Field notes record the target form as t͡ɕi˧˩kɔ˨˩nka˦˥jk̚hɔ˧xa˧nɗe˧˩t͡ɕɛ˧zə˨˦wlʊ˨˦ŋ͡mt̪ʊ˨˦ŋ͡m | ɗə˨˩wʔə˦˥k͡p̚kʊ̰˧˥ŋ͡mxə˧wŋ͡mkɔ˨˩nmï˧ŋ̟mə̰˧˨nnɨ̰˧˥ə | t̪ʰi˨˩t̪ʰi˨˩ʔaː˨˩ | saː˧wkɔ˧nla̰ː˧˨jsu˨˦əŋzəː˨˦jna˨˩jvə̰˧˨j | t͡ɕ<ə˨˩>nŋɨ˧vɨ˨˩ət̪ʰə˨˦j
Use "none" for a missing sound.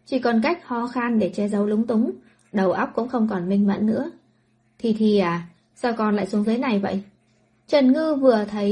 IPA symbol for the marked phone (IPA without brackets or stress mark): ə˨˩